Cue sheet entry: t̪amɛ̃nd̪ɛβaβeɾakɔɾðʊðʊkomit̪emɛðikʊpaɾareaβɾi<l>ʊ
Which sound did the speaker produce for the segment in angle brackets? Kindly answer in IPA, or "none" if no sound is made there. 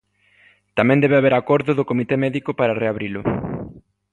l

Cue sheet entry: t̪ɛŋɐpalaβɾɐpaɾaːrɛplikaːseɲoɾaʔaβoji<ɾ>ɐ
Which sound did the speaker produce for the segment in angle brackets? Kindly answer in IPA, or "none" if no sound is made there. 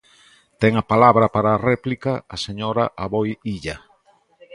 ʎ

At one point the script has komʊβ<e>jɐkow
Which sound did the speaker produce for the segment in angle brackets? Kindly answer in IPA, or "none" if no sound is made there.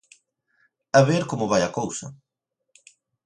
a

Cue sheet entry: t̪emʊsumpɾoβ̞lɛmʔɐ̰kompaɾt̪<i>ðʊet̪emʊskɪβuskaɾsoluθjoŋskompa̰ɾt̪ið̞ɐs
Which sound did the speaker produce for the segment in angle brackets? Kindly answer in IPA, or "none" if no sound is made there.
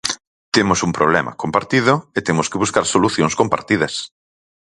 i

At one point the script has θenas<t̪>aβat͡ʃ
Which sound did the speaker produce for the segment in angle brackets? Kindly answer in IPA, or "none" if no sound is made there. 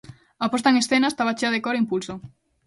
t̪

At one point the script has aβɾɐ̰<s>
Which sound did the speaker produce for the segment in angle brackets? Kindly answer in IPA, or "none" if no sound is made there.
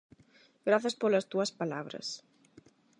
s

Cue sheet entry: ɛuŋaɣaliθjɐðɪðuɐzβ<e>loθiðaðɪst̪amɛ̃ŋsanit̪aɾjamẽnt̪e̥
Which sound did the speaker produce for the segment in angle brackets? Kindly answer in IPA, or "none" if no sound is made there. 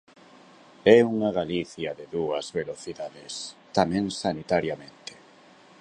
e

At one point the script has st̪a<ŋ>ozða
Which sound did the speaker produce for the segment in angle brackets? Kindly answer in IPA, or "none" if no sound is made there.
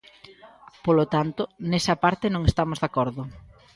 m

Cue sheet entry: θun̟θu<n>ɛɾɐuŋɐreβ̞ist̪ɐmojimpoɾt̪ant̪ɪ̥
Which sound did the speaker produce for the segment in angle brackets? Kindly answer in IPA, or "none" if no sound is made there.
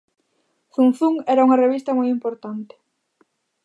ŋ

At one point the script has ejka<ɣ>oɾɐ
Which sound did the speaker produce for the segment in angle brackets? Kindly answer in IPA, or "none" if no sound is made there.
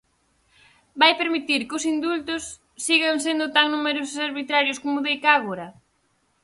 ɣ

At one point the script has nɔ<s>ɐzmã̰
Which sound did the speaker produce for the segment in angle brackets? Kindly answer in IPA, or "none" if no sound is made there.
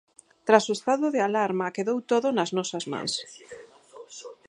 s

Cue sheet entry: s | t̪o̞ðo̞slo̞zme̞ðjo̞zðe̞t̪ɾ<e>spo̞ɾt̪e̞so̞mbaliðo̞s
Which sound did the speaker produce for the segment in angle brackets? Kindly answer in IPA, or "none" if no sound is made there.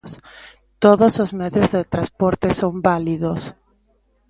a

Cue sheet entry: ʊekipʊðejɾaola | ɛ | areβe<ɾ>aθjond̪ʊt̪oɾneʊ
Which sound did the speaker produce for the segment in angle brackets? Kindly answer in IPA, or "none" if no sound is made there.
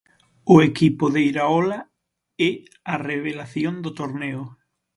l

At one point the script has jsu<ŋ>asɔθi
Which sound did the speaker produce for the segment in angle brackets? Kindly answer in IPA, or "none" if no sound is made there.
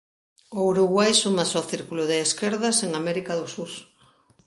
m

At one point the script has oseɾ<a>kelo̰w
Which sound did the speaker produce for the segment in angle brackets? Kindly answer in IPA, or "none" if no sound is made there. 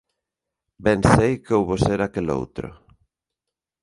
a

